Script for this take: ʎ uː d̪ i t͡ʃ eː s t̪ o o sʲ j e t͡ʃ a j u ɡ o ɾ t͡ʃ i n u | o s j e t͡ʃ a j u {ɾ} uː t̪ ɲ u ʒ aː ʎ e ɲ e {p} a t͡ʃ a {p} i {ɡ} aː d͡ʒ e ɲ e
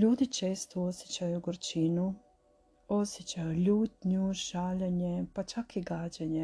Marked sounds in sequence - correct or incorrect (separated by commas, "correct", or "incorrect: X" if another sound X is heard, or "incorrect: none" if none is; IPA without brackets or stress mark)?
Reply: incorrect: ʎ, correct, incorrect: k, correct